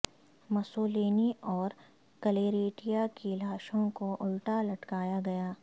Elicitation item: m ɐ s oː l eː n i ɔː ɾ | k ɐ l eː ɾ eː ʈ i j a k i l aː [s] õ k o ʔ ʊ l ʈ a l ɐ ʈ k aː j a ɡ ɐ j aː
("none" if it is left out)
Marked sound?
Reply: ʃ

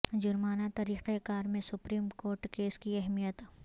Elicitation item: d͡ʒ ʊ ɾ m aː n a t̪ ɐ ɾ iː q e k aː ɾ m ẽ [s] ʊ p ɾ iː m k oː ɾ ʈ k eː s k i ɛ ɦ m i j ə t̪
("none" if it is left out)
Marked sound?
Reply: s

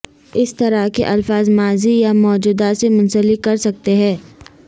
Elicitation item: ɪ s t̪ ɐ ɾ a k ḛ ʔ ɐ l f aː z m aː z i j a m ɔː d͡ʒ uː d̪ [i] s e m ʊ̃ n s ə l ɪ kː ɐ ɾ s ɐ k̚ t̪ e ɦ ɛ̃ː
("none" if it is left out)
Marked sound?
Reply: a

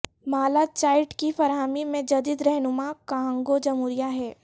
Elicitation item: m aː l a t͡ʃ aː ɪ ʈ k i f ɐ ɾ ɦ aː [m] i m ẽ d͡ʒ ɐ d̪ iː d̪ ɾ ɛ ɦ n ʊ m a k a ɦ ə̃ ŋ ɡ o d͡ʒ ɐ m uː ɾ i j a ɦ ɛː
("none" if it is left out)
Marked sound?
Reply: m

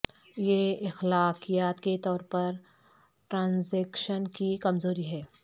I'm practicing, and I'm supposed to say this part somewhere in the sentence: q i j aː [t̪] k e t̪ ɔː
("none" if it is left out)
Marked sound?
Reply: t̪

